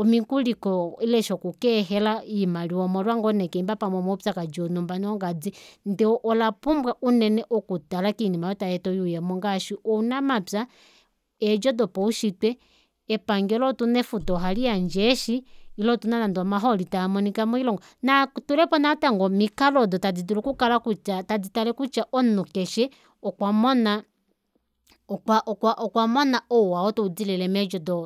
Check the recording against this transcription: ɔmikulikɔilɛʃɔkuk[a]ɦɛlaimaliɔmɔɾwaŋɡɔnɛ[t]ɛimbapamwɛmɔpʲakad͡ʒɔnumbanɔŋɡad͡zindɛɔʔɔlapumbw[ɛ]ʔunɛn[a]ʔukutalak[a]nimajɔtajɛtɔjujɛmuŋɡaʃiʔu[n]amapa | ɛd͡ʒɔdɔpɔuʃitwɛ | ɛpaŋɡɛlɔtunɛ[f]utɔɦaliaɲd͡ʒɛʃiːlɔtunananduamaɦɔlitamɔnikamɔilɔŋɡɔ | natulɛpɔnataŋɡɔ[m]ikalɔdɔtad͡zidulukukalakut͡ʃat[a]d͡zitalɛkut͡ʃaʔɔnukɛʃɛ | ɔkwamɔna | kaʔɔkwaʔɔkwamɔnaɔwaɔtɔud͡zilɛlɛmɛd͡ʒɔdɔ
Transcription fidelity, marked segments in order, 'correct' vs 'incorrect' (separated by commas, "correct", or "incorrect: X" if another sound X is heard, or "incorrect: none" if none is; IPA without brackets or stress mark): incorrect: ɛ, incorrect: k, incorrect: a, incorrect: ɛ, incorrect: i, correct, correct, correct, correct